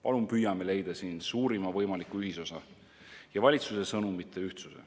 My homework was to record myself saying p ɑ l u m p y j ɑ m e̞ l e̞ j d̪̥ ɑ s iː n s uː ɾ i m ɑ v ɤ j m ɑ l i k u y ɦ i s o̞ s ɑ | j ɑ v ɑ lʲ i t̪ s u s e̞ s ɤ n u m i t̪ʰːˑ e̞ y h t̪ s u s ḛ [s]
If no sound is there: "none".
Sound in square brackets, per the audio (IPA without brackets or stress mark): none